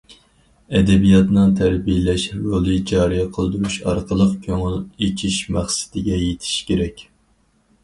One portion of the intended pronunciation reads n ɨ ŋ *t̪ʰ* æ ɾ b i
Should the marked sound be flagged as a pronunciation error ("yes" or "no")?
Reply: no